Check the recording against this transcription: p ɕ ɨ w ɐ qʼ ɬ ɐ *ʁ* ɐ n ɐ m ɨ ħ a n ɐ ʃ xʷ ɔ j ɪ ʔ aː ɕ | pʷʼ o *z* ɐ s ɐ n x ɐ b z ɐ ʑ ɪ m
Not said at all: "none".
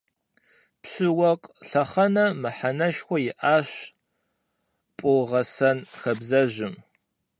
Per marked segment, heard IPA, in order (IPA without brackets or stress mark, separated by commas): χ, ʁ